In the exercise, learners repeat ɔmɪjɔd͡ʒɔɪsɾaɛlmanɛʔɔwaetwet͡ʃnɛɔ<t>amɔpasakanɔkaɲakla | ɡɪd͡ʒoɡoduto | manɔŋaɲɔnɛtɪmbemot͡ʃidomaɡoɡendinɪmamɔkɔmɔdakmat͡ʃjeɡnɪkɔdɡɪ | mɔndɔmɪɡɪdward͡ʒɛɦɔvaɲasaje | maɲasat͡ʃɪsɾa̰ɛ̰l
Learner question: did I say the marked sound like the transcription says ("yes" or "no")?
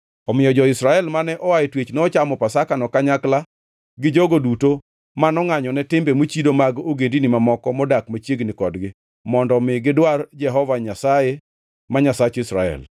no